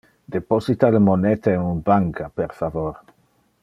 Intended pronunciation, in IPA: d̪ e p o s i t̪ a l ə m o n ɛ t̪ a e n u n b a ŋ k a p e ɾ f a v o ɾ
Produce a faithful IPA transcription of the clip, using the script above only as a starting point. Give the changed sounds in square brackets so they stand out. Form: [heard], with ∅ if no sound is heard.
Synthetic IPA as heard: d̪ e p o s i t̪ a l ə m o n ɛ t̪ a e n u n b a ŋ k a p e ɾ f a v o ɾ

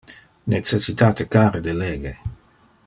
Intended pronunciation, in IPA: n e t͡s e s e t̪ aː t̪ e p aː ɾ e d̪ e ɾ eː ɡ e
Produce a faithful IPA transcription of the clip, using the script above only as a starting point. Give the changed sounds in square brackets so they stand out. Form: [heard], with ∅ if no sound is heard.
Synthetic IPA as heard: n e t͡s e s [i] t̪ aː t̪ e [k] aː ɾ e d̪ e [l] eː ɡ e

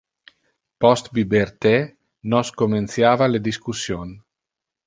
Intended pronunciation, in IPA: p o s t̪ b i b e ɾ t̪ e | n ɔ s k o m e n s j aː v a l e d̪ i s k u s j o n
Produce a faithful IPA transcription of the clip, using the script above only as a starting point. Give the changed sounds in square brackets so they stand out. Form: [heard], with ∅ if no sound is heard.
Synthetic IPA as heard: p [ɔ] s t̪ b i b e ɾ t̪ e | n ɔ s k o m e n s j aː v a l e d̪ i s k u s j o n

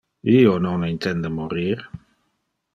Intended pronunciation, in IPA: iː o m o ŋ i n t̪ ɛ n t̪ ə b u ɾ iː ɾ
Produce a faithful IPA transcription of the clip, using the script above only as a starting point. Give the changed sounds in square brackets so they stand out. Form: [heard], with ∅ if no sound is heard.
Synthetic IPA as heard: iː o [n] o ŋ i n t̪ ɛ n [d̪] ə [m] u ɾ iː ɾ

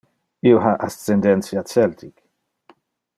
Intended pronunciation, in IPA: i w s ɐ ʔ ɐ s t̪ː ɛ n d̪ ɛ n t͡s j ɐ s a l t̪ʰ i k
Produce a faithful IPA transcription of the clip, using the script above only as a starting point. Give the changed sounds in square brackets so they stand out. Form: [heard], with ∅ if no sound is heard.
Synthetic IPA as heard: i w [ħ] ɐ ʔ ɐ s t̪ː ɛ n d̪ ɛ n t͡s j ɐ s [ɛ] l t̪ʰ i k

